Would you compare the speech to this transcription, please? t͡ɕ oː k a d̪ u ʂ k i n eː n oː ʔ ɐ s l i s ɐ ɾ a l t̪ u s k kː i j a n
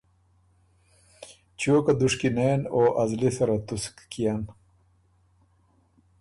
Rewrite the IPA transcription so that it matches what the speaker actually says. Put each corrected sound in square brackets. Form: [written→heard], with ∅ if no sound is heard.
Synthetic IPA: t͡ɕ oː k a d̪ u ʂ k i n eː n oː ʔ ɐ [s→z] l i s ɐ ɾ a [l→∅] t̪ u s k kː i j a n